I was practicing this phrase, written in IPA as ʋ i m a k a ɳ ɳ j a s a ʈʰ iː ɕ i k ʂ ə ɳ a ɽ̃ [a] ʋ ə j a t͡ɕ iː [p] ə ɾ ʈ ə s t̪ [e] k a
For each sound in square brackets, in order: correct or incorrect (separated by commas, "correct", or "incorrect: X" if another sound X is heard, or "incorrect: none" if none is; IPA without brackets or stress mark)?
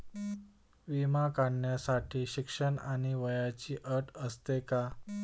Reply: incorrect: i, incorrect: ʔ, correct